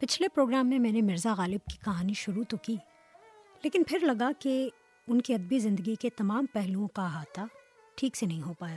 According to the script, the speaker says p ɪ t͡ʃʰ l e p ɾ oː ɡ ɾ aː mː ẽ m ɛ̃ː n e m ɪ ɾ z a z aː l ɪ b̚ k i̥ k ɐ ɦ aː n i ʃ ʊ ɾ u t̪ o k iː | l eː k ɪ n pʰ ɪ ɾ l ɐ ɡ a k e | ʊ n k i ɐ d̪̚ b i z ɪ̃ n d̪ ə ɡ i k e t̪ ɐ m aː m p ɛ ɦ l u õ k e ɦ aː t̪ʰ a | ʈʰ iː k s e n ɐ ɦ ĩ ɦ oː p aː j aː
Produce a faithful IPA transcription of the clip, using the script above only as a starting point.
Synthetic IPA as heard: p ɪ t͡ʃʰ l e p ɾ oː ɡ ɾ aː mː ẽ m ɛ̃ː n e m ɪ ɾ z a ɣ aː l ɪ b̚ k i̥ k ɐ ɦ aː n i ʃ ʊ ɾ u t̪ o k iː | l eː k ɪ n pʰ ɪ ɾ l ɐ ɡ a k e | ʊ n k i ɐ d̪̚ b i z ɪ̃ n d̪ ə ɡ i k e t̪ ɐ m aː m p ɛ ɦ l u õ k a ɦ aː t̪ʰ a | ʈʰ iː k s e n ɐ ɦ ĩ ɦ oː p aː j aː